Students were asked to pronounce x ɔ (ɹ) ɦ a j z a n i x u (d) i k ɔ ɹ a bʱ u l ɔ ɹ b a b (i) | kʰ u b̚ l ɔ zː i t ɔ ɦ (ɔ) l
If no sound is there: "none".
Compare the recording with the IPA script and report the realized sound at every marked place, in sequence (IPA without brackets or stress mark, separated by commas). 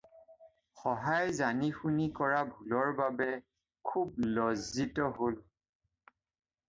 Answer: none, n, ɛ, o